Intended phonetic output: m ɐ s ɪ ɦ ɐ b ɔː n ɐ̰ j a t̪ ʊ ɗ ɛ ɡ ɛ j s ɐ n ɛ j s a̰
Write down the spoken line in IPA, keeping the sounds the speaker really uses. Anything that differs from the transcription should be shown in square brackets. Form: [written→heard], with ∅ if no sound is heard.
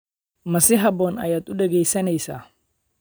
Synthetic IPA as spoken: m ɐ s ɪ ɦ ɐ b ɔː n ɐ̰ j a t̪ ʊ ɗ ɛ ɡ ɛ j s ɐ n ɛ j s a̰